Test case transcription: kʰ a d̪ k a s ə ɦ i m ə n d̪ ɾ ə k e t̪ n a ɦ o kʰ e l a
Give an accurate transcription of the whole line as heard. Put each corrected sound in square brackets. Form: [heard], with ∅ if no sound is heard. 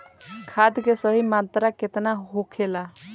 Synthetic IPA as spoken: kʰ a d̪ k [e] s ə ɦ i m [a] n [t̪] ɾ [a] k e t̪ n a ɦ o kʰ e l a